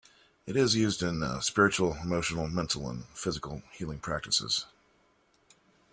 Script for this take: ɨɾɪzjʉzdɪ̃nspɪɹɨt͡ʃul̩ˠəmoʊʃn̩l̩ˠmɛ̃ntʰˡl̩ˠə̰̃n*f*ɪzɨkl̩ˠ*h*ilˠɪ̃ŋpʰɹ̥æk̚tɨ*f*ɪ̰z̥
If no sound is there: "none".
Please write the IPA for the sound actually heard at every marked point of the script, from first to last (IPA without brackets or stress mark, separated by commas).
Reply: f, h, s